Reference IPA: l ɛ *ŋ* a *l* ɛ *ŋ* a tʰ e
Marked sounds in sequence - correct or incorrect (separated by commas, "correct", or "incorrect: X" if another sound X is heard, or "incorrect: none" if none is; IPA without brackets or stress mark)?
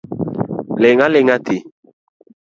correct, correct, correct